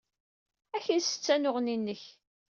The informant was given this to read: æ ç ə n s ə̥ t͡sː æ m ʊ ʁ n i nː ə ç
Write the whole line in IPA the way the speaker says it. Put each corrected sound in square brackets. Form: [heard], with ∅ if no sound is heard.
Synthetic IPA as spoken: æ ç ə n s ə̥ t͡sː æ [n] ʊ ʁ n i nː ə ç